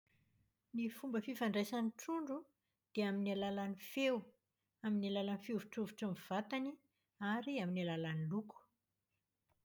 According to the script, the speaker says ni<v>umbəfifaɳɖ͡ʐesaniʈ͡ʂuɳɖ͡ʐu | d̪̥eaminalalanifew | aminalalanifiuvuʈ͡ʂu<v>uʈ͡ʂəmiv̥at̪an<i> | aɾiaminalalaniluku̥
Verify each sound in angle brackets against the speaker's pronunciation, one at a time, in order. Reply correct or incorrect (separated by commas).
incorrect, correct, correct